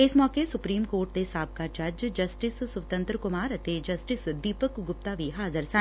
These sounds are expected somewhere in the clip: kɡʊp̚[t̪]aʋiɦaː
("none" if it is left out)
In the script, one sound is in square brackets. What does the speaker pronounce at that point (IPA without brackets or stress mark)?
t̪